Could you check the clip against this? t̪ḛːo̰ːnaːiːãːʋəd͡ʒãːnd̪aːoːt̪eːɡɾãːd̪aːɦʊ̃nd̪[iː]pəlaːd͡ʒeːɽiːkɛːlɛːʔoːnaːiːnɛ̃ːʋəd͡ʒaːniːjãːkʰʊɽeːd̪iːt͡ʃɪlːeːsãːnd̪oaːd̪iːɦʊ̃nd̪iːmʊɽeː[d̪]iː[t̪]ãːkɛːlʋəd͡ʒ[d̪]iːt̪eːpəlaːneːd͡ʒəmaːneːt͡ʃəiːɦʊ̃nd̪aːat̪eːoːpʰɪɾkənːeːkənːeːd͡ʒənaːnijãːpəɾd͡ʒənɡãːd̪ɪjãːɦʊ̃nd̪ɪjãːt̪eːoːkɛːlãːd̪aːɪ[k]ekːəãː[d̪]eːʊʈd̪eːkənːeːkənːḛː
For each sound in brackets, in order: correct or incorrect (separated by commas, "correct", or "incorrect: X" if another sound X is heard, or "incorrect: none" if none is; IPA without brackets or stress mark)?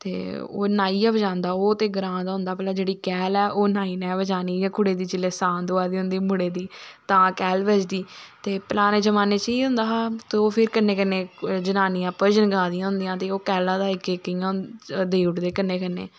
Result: incorrect: aː, correct, correct, correct, correct, correct